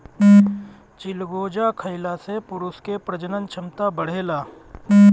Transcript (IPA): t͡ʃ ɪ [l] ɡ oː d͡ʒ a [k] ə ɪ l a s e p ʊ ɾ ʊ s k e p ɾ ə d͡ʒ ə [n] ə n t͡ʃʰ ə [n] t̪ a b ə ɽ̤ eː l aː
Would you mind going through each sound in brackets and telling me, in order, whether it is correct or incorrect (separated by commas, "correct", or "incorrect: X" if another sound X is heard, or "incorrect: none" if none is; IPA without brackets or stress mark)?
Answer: correct, incorrect: kʰ, correct, incorrect: m